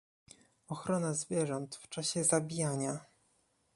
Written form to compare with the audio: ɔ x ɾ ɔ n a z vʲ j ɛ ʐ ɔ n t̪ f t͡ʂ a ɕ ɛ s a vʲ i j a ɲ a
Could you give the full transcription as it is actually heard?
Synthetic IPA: ɔ x ɾ ɔ n a z vʲ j ɛ ʐ ɔ n t̪ f t͡ʂ a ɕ ɛ z a bʲ i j a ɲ a